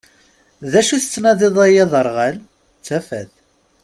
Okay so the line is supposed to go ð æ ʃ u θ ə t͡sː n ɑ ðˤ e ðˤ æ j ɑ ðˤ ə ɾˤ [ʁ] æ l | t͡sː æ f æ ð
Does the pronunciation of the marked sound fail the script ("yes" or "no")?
no